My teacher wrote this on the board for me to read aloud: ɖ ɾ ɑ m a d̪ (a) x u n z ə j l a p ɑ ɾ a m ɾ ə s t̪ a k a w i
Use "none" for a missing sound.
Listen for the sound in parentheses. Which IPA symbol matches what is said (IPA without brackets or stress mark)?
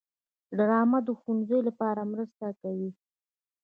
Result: ə